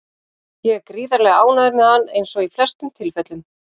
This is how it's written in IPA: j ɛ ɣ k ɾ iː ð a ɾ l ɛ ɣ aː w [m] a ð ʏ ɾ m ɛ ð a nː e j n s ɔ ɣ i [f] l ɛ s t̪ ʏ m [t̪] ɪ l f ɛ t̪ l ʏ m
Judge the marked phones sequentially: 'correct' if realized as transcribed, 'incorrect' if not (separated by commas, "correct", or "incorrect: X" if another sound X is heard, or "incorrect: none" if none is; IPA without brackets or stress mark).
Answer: incorrect: n, correct, incorrect: t̪ʰ